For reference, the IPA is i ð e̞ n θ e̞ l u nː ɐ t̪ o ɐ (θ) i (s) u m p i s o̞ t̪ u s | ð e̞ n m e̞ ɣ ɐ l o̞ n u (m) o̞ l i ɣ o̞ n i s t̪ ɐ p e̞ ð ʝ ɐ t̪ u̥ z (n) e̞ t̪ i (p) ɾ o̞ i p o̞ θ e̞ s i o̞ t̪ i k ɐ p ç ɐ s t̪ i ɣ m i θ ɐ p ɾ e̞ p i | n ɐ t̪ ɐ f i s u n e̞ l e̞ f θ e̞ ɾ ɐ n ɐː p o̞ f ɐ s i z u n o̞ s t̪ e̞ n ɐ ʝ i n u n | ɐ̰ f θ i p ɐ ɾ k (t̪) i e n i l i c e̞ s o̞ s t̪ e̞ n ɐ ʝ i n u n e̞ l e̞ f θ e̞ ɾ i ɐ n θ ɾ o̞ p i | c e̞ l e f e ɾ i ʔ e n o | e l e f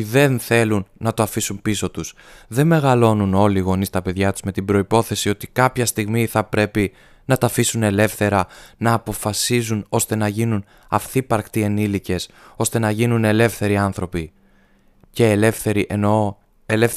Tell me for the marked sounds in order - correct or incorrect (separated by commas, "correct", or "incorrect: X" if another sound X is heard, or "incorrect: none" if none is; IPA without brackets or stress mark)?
incorrect: f, correct, incorrect: n, incorrect: m, incorrect: b, correct